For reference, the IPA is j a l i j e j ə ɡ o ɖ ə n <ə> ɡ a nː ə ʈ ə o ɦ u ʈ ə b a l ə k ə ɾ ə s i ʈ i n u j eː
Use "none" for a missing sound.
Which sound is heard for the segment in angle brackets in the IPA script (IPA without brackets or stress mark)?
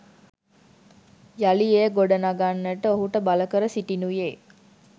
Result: a